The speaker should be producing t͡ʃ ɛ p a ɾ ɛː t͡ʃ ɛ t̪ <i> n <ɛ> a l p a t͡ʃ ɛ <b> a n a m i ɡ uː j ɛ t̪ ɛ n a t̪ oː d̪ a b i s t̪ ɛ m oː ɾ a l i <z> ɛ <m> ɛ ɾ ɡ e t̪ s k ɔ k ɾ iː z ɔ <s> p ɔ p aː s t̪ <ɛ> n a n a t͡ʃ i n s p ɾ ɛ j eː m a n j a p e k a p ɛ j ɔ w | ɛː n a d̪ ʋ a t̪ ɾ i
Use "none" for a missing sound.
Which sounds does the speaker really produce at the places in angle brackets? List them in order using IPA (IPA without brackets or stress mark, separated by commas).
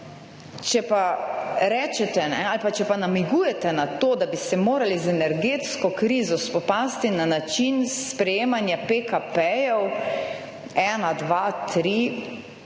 ɛ, ɛ, p, z, n, s, i